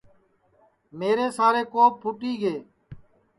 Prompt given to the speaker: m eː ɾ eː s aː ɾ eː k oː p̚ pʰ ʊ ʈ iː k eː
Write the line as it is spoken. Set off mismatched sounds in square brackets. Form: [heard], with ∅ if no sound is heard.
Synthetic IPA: m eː ɾ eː s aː ɾ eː k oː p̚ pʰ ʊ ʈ iː [ɡ] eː